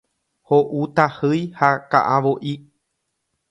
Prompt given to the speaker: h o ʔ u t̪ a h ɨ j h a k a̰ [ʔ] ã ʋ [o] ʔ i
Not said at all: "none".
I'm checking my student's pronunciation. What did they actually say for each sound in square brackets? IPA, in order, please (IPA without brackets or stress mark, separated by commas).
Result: ʔ, o